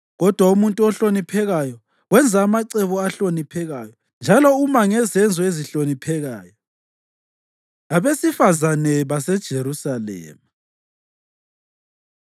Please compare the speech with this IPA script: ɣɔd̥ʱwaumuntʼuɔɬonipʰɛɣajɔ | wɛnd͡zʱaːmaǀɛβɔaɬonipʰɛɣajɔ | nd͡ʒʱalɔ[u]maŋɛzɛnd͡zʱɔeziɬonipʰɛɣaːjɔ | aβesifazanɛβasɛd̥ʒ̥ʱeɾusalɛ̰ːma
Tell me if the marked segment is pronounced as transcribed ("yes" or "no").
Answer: yes